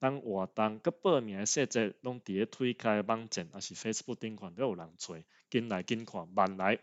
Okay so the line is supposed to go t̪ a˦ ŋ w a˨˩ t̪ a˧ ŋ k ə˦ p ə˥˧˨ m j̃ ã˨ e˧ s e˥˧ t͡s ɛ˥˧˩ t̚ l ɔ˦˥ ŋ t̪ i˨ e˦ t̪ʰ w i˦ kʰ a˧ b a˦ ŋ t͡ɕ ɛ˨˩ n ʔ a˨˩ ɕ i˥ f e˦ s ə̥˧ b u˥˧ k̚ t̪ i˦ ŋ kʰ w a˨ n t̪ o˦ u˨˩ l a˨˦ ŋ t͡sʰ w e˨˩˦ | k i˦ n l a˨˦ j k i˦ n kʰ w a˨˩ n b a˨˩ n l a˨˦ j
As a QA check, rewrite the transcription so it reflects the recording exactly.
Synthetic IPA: t̪ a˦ ŋ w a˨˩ t̪ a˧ ŋ k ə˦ p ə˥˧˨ m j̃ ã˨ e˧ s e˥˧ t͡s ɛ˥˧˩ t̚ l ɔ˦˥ ŋ t̪ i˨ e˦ t̪ʰ w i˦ kʰ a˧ b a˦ ŋ t͡ɕ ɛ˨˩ n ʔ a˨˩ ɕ i˨˩ f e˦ s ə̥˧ b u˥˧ k̚ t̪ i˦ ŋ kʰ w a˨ n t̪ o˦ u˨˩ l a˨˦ ŋ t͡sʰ w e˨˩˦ | k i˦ n l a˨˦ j k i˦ n kʰ w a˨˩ n b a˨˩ n l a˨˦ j